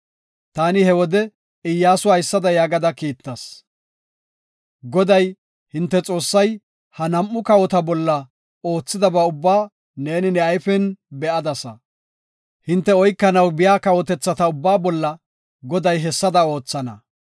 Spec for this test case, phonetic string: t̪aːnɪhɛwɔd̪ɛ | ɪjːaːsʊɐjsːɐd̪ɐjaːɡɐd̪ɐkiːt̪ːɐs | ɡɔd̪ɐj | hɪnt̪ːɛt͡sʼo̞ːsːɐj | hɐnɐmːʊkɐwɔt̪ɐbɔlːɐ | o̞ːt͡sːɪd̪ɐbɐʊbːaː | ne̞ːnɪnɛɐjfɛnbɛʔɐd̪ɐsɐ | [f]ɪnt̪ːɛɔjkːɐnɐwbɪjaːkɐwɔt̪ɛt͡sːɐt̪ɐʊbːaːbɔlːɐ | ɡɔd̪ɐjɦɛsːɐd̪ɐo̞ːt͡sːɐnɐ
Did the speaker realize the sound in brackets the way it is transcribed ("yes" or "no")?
no